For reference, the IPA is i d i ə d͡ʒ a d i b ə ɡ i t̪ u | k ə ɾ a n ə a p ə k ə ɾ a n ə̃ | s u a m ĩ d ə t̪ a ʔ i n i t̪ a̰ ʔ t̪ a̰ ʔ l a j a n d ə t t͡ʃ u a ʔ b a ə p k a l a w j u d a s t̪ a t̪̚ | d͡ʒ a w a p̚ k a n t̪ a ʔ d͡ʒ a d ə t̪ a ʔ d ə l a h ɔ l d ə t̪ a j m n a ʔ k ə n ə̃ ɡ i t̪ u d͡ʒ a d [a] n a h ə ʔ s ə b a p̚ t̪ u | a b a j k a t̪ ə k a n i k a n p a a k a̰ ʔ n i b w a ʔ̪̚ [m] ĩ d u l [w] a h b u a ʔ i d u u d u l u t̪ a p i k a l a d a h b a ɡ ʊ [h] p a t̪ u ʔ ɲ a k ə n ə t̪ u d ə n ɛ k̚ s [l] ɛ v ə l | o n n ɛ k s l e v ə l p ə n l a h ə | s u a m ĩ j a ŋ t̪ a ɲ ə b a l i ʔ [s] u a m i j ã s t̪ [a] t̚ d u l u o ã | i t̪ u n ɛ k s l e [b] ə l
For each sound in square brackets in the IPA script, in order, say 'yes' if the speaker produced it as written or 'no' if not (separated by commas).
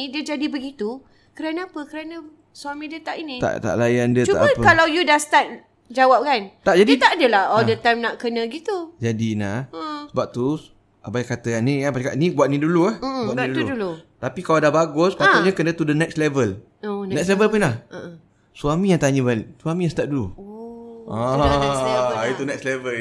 no, no, no, no, yes, yes, yes, no